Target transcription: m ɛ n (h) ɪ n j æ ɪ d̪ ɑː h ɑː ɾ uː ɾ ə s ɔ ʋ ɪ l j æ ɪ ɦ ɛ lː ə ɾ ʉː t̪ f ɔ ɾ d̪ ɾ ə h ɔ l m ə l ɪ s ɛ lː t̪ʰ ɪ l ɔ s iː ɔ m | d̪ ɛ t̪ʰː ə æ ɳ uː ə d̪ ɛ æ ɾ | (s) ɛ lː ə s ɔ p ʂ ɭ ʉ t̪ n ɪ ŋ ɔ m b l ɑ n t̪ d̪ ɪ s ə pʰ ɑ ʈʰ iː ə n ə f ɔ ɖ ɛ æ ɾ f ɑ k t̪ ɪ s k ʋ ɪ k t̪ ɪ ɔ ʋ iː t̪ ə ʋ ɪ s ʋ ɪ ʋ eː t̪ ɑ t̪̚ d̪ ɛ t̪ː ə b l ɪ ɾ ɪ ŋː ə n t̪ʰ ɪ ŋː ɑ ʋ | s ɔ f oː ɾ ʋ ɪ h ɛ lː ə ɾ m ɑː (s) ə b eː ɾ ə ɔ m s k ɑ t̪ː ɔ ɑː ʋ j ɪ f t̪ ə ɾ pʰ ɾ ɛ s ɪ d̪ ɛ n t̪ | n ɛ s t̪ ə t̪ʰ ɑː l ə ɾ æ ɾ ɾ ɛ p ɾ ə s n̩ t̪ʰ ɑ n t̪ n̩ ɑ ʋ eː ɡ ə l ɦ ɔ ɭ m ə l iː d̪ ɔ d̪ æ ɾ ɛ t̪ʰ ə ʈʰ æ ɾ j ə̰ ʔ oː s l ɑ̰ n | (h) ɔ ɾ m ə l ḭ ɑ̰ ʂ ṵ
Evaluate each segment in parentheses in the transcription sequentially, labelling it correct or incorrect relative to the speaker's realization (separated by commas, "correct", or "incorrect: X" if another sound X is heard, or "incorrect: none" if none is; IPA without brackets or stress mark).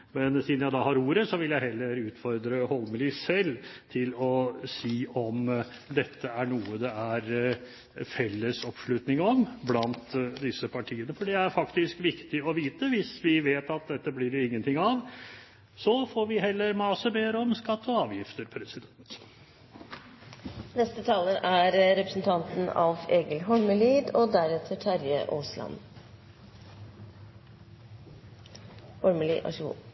incorrect: s, incorrect: f, correct, correct